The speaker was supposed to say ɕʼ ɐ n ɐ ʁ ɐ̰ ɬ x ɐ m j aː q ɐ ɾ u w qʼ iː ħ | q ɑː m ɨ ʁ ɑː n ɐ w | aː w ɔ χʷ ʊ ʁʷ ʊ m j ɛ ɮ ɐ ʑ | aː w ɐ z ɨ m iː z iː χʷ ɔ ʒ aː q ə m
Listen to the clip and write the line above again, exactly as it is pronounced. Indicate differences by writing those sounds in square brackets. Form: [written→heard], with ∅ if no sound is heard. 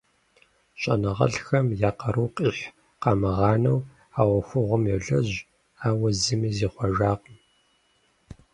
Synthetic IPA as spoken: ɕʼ ɐ n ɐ ʁ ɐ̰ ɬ x ɐ m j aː q ɐ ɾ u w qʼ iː ħ | q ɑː m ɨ ʁ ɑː n ɐ w | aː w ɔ [χʷ→xʷ] ʊ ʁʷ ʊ m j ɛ ɮ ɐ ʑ | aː w ɐ z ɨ m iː z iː χʷ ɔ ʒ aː q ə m